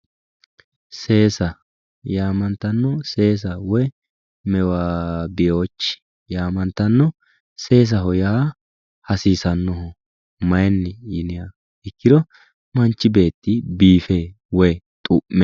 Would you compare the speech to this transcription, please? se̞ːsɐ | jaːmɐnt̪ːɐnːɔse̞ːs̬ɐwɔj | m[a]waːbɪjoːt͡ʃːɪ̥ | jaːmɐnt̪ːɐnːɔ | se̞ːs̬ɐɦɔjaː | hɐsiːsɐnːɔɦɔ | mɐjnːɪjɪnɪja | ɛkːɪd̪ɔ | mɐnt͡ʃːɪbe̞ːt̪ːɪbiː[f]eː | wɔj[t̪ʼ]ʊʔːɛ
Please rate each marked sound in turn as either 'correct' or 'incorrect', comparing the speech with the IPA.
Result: incorrect, correct, correct

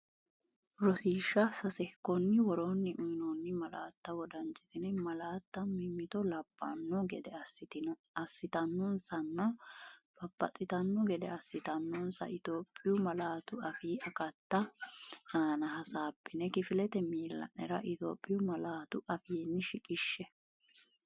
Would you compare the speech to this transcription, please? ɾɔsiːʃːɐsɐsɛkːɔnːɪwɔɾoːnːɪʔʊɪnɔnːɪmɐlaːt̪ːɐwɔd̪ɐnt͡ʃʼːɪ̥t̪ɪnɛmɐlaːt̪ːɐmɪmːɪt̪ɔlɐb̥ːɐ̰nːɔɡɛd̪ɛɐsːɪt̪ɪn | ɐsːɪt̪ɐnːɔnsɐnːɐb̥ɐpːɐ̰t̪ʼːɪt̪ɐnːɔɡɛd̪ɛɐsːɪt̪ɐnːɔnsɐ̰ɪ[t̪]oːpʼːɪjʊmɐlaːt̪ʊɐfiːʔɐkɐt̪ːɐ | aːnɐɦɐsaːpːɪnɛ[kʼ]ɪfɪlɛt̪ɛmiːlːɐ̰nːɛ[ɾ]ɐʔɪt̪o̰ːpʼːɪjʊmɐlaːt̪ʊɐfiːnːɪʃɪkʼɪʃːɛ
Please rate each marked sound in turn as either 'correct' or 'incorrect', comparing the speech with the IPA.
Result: correct, incorrect, correct

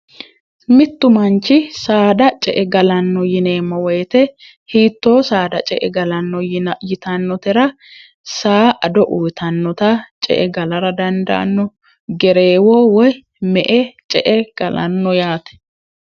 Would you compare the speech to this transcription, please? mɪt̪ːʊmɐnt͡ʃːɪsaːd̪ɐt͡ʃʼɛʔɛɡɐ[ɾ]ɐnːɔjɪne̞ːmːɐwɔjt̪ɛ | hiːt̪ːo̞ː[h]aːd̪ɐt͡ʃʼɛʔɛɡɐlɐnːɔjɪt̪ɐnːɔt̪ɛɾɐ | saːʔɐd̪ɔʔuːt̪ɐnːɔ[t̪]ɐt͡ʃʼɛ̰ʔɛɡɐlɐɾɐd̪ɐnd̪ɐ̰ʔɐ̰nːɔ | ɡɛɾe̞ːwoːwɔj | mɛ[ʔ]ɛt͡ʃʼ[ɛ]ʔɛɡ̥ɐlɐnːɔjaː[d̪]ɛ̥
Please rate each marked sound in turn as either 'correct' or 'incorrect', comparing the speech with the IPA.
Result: incorrect, incorrect, correct, correct, correct, incorrect

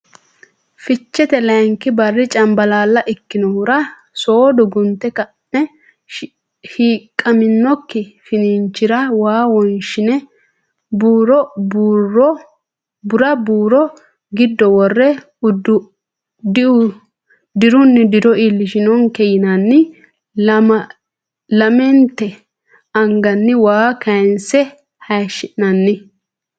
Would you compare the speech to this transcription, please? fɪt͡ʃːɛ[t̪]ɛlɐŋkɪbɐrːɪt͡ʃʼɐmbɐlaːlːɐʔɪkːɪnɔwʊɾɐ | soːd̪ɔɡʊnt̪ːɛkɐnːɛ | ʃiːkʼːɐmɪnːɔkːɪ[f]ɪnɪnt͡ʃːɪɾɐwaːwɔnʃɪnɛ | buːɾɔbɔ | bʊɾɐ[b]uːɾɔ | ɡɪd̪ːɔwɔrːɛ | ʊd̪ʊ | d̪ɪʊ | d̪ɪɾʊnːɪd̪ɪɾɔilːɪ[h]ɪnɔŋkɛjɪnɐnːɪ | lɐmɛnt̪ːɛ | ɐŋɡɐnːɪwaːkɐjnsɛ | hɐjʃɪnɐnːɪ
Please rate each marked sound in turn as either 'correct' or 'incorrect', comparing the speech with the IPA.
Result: correct, correct, correct, incorrect

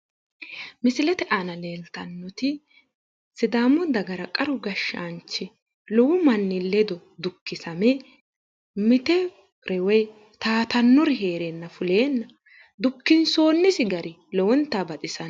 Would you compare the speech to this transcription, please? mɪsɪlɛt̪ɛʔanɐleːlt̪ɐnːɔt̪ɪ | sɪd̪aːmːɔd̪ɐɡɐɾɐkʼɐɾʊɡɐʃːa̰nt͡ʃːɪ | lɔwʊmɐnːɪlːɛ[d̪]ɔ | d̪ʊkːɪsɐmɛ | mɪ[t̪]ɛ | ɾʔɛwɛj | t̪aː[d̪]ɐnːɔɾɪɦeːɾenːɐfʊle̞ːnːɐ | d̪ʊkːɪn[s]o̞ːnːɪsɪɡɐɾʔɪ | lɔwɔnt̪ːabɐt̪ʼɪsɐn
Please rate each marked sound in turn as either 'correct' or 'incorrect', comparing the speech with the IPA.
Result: correct, correct, incorrect, correct

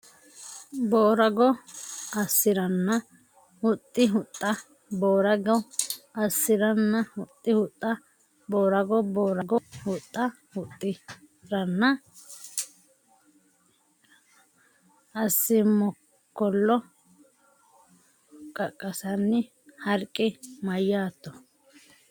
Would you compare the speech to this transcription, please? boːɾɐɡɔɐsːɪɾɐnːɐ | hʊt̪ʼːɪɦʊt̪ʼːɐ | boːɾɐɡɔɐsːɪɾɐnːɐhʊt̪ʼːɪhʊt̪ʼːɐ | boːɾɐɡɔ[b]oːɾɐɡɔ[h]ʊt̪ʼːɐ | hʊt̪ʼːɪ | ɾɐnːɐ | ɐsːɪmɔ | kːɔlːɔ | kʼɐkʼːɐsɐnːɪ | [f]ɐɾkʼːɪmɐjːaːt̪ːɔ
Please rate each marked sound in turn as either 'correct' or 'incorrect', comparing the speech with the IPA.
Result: correct, correct, incorrect

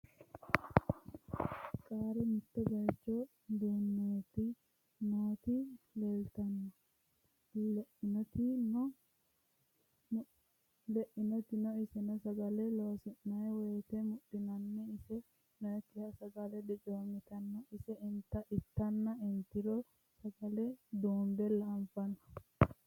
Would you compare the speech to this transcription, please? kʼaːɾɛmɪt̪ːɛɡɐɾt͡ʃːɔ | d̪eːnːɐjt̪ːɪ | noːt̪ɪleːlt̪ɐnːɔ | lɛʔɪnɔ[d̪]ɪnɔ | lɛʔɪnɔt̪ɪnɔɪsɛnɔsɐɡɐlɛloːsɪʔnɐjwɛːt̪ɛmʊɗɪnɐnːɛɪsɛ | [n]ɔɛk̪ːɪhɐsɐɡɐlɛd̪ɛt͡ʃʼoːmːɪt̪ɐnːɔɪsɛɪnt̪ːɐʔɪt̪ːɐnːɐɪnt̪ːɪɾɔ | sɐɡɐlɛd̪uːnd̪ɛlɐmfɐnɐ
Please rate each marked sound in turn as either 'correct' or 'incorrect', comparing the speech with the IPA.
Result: incorrect, correct

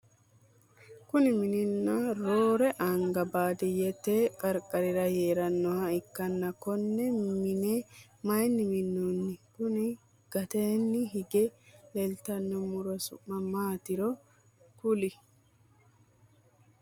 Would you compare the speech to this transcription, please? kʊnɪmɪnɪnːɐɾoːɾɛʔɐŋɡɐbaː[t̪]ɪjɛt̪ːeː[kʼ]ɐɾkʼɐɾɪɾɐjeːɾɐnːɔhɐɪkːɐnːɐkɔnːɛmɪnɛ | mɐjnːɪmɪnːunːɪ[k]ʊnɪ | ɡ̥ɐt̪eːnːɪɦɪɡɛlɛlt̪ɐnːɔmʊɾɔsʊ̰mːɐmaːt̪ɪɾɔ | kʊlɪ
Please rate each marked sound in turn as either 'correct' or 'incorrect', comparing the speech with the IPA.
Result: incorrect, correct, correct

